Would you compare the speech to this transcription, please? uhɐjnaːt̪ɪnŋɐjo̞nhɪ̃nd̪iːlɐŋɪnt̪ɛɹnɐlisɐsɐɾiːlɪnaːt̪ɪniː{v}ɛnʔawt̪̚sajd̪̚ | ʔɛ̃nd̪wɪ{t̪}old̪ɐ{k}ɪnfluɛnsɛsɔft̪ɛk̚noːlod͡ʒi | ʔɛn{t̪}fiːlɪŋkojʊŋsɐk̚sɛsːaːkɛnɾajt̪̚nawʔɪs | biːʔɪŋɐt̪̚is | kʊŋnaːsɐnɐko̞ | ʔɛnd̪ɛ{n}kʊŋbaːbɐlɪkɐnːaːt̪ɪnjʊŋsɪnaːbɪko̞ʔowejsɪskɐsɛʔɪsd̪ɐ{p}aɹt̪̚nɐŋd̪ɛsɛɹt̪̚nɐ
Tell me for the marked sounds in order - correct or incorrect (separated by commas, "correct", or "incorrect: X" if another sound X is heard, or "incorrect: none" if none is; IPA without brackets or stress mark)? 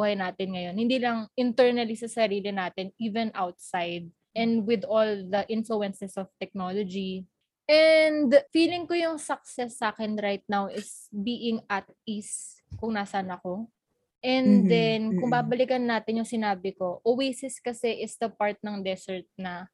correct, incorrect: d̪, incorrect: ʔ, incorrect: d̪, correct, correct